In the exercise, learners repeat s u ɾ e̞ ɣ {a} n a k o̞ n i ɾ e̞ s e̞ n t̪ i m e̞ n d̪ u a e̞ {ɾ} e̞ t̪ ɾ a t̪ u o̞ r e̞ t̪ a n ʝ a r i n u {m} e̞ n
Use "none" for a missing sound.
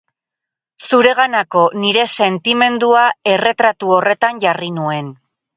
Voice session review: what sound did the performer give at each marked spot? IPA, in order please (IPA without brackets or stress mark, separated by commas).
a, r, none